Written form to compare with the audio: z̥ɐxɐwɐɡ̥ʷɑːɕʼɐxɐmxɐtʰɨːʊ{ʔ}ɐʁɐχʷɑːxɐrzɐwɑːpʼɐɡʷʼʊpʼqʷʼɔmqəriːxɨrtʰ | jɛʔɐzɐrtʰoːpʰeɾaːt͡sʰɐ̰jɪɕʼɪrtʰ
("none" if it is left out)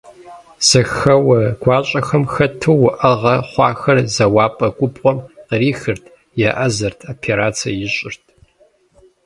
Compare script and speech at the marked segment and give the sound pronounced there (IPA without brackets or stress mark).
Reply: ʔ